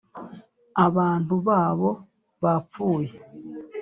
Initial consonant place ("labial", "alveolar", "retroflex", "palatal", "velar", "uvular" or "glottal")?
labial